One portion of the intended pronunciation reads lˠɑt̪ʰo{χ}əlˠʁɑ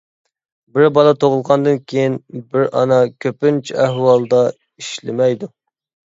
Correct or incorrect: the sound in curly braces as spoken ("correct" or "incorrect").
incorrect